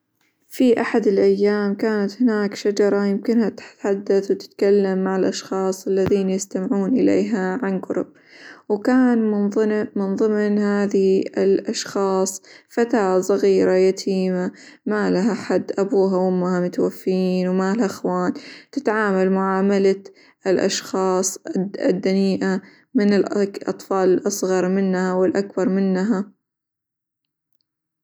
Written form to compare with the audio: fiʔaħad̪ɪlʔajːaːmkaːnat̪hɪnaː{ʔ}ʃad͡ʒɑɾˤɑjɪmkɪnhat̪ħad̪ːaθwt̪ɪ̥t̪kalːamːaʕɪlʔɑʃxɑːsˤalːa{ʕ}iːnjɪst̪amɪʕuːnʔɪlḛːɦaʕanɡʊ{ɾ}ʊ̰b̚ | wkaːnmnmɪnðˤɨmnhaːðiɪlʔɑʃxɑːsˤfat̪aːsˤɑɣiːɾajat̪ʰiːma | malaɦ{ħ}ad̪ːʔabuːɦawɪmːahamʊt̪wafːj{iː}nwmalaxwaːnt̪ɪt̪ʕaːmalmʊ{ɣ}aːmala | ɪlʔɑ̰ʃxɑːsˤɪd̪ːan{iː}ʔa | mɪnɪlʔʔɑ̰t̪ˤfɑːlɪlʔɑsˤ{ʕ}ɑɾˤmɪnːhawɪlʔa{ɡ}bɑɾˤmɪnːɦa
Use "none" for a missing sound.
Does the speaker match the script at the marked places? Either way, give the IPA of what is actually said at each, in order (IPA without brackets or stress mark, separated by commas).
k, ð, ɾ, ħ, iː, ʕ, iː, ɣ, k